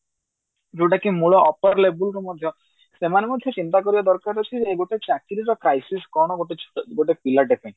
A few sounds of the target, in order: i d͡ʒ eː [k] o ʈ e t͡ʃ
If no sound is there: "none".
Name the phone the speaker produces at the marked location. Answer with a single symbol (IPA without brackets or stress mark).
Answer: ɡ